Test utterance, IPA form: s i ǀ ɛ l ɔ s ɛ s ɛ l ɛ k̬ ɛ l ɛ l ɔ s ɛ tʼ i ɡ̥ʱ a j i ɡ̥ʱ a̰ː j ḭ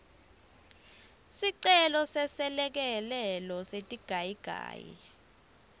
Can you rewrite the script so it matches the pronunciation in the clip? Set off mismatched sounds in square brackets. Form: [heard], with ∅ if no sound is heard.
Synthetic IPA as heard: s i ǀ ɛ l ɔ s ɛ s ɛ l ɛ k̬ ɛ l ɛ l ɔ s [e] tʼ i ɡ̥ʱ a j i ɡ̥ʱ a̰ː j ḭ